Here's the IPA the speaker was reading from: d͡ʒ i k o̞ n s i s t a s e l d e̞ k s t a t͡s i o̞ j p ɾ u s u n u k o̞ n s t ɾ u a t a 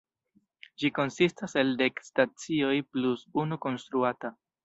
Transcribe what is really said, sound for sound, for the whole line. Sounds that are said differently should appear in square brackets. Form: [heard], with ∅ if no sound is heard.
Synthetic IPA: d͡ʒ i k o̞ n s i s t a s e l d e̞ k s t a t͡s i o̞ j p [l] u s u n u k o̞ n s t ɾ u a t a